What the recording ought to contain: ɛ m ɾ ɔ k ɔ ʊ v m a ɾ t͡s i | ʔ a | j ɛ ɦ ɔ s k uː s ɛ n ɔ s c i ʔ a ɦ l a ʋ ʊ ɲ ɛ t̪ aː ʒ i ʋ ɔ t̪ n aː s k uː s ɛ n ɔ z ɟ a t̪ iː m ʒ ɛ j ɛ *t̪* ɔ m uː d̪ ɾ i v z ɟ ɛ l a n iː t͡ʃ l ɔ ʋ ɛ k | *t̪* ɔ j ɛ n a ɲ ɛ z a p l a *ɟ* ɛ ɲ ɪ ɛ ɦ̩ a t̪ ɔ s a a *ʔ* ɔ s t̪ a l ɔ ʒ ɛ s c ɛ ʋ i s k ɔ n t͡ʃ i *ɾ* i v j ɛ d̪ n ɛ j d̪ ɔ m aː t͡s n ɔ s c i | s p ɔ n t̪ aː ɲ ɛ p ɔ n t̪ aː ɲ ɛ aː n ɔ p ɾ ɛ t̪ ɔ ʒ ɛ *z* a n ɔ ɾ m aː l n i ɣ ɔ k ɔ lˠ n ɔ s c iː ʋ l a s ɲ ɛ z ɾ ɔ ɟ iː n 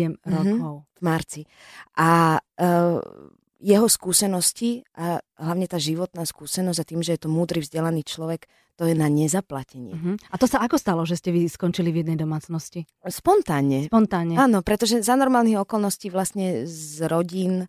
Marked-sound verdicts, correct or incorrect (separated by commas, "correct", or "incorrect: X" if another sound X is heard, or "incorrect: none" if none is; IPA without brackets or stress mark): correct, correct, incorrect: c, incorrect: k, incorrect: l, correct